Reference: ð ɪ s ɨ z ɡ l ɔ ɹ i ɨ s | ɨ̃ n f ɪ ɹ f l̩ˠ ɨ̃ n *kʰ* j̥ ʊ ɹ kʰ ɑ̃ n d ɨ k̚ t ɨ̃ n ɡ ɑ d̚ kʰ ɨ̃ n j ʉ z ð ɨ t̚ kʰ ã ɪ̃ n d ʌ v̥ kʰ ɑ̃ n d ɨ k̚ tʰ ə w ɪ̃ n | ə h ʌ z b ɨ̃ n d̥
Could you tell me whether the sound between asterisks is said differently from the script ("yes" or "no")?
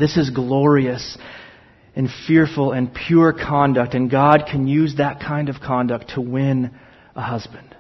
yes